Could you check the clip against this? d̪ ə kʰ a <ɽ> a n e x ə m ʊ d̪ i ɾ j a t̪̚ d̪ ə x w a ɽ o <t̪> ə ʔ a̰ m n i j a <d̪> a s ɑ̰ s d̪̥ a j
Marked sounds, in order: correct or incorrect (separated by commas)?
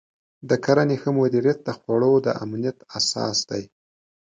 incorrect, incorrect, incorrect